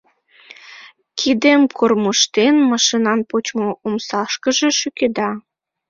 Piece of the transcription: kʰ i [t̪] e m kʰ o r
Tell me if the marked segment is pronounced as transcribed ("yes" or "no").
no